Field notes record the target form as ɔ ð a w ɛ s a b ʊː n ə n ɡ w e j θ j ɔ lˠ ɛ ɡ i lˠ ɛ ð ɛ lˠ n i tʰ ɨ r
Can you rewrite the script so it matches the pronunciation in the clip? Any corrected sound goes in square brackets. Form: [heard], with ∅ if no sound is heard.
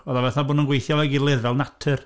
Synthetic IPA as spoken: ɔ ð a [v] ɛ [θ] a b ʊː n ə n ɡ w e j θ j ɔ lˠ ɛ ɡ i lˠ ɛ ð ɛ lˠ n [a] tʰ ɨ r